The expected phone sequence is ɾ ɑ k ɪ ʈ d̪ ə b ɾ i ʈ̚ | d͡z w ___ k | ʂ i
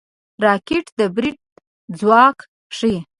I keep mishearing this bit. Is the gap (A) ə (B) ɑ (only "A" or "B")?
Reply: B